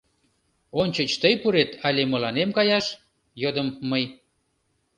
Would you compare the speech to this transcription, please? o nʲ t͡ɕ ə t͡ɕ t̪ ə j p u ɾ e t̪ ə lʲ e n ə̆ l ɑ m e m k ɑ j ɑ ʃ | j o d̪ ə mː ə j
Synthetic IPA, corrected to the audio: o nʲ t͡ɕ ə t͡ɕ t̪ ə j p u ɾ e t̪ ɑ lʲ e m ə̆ l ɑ n e m k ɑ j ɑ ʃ | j o d̪ ə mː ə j

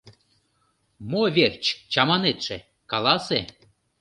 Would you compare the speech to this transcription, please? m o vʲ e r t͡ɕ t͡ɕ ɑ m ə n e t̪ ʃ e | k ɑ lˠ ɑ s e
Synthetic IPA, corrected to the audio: m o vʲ e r t͡ɕ t͡ɕ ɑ m ɑ n e t̪ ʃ e | k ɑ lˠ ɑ s e

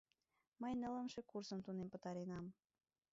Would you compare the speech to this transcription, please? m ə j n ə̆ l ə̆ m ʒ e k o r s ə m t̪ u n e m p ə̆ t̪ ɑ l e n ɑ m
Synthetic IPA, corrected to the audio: m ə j n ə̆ l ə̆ m ʃ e k u r s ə m t̪ u n e m p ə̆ t̪ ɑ ɾ e n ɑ m

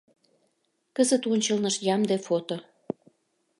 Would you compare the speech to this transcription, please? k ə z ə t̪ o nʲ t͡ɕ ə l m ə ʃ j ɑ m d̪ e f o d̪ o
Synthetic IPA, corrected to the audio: k ə z ə t̪ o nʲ t͡ɕ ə l n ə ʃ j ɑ m d̪ e f o t̪ o

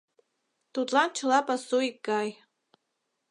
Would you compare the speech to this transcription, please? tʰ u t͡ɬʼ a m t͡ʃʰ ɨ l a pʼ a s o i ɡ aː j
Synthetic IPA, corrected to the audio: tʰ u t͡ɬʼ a n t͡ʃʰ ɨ l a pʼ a s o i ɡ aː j

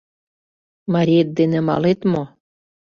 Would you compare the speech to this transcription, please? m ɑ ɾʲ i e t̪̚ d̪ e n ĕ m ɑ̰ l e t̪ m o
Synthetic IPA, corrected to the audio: m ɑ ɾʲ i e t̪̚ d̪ e n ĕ m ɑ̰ l e t̪ m o

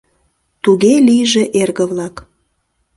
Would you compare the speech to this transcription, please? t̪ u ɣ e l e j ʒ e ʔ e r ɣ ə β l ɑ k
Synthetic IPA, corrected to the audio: t̪ u ɣ e l i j ʒ e ʔ e r ɣ ə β l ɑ k

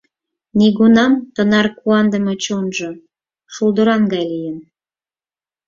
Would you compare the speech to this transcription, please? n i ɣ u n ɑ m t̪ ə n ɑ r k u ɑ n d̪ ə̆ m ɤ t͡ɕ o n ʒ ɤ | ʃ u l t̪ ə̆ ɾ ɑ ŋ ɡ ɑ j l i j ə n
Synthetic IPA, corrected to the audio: n i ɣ u n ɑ m t̪ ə n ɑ r k u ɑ n d̪ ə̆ m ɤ t͡ɕ o n ʒ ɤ | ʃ u l d̪ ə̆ ɾ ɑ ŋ ɡ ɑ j l i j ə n

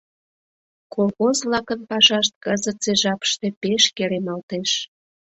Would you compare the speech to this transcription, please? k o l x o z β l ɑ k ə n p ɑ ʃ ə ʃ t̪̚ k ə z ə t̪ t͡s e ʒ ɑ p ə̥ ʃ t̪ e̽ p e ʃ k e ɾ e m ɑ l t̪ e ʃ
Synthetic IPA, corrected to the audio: k o l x o z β l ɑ k ə n p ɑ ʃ ɑ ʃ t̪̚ k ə z ə t̪ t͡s e ʒ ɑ p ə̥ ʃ t̪ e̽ p e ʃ k e ɾ e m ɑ l t̪ e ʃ

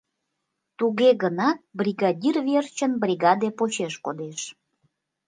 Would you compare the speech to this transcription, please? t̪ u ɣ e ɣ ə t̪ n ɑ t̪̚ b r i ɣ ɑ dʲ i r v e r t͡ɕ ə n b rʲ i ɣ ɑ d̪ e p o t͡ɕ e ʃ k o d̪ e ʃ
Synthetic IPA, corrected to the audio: t̪ u ɣ e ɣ ə n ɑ t̪̚ b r i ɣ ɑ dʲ i r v e r t͡ɕ ə n b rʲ i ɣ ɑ d̪ e p o t͡ɕ e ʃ k o d̪ e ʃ

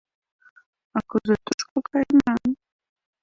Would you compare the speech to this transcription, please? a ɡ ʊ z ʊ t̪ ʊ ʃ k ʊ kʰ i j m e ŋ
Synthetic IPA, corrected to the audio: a k ʊ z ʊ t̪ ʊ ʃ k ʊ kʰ a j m a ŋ

